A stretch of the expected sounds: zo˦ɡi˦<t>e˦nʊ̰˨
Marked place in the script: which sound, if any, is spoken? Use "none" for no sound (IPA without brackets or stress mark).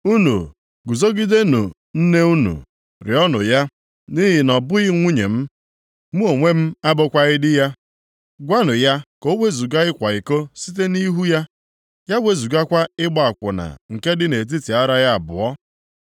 d